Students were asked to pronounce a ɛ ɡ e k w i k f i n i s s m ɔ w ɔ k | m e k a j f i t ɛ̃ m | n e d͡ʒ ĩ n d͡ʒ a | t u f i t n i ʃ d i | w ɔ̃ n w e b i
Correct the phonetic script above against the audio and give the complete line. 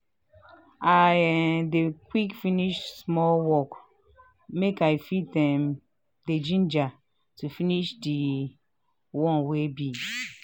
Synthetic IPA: a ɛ d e k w i k f i n i ʃ s m ɔ w ɔ k | m e k a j f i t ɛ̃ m | d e d͡ʒ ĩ n d͡ʒ a | t u f i n i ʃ d i | w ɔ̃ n w e b i